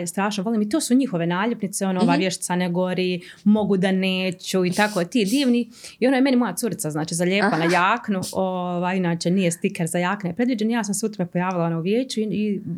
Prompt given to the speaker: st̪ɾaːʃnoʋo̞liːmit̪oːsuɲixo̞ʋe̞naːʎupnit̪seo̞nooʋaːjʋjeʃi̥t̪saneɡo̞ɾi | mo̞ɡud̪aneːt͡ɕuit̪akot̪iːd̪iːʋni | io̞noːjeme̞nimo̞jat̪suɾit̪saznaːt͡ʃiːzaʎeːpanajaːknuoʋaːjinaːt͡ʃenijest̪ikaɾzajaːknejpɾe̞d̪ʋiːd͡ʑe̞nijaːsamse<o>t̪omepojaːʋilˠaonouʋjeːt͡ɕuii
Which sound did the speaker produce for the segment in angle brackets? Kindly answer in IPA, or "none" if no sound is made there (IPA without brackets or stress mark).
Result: u